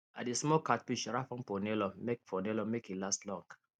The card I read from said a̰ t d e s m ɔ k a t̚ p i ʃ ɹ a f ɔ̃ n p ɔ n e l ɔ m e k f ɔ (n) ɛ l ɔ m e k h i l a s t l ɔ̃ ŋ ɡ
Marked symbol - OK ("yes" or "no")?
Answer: yes